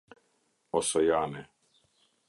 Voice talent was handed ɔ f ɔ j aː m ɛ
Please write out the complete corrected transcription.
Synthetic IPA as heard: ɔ s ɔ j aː n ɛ